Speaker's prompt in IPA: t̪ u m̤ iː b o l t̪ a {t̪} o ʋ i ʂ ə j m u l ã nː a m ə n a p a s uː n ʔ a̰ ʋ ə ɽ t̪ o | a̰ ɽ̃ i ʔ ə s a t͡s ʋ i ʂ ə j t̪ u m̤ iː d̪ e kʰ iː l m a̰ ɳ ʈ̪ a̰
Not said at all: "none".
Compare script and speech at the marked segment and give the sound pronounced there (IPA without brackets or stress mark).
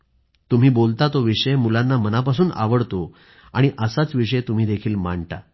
t̪